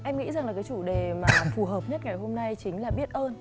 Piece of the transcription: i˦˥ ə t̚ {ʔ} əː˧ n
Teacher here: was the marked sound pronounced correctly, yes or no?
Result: yes